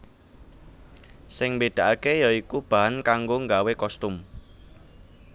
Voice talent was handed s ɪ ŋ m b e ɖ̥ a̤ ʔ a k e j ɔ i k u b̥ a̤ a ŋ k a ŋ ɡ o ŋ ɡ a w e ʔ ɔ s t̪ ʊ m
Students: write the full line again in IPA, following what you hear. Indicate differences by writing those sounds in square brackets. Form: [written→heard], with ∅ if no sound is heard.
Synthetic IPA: s ɪ ŋ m b e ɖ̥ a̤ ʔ a k e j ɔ i k u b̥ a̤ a [ŋ→n] k a ŋ ɡ o ŋ ɡ a w e [ʔ→k] ɔ s t̪ ʊ m